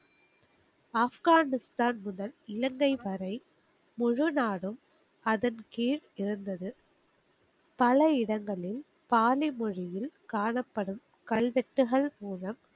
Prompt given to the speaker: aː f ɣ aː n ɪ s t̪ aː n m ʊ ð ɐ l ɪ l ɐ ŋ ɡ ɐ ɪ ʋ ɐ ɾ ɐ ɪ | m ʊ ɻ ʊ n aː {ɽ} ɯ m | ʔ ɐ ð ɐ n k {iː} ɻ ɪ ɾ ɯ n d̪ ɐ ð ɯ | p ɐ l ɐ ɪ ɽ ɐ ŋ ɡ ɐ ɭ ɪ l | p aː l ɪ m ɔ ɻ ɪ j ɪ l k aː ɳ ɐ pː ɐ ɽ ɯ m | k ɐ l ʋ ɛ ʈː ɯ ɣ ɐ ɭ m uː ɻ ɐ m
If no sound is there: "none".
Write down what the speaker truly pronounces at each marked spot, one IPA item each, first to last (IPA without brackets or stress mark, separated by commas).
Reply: ɽ, iː